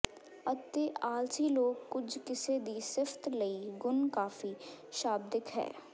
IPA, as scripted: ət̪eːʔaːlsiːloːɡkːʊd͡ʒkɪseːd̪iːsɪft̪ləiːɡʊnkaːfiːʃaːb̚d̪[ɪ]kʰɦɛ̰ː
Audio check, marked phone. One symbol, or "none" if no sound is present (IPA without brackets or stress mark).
ɪ